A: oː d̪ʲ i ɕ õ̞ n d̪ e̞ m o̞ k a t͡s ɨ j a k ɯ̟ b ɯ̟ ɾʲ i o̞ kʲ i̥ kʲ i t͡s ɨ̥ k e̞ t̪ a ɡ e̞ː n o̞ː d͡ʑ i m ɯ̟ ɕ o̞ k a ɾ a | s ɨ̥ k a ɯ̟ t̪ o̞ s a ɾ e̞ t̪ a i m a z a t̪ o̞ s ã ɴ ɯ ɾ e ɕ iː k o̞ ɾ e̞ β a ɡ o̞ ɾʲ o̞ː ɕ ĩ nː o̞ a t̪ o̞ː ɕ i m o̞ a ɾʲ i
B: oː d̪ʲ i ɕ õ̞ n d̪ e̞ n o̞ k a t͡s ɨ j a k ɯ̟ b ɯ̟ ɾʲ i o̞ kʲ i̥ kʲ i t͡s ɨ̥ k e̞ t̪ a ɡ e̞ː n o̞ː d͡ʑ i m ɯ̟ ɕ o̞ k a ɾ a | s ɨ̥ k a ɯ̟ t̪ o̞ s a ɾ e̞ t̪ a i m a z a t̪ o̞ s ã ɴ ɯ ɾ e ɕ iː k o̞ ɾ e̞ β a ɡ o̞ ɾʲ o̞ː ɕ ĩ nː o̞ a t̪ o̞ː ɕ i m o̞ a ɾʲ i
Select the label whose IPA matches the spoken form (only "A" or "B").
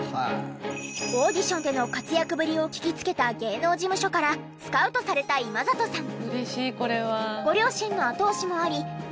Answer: B